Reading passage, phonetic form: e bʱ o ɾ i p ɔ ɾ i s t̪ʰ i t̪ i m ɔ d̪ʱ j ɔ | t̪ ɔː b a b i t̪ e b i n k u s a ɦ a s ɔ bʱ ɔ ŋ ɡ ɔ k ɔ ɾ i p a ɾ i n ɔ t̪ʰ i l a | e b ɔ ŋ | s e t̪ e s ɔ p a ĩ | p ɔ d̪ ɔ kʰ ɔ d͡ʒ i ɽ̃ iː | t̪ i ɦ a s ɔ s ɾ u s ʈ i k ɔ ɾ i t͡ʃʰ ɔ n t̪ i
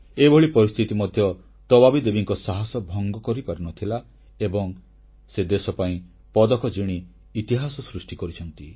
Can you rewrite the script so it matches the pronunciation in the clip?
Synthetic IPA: e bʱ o ɭ i p ɔ ɾ i s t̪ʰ i t̪ i m ɔ d̪ʱ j ɔ | t̪ ɔ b a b i d̪ e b i ŋ k ɔ s a ɦ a s ɔ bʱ ɔ ŋ ɡ ɔ k ɔ ɾ i p a ɾ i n ɔ t̪ʰ i l a | e b ɔ ŋ | s e d̪ e s ɔ p a ĩ | p ɔ d̪ ɔ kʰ ɔ d͡ʒ i ɽ̃ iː | t̪ i ɦ a s ɔ s ɾ u s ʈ i k ɔ ɾ i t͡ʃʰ ɔ n t̪ i